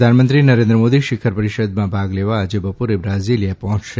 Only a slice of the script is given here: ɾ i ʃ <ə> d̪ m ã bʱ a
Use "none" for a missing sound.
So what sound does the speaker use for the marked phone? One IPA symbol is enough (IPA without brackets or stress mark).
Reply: ə